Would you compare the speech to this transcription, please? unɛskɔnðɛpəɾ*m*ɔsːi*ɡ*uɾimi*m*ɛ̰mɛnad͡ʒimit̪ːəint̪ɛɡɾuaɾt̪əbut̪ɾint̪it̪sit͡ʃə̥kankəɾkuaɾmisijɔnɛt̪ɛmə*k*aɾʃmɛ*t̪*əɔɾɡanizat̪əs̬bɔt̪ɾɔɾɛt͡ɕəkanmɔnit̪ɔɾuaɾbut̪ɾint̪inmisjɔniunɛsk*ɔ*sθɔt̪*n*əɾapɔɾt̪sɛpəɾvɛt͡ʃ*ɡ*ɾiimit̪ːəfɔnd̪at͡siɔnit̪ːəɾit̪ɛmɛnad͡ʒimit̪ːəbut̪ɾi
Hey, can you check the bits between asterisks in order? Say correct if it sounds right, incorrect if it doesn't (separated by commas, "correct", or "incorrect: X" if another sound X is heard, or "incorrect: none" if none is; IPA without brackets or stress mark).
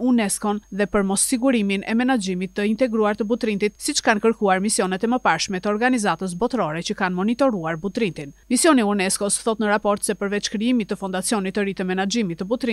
correct, correct, incorrect: n, incorrect: p, correct, correct, correct, incorrect: k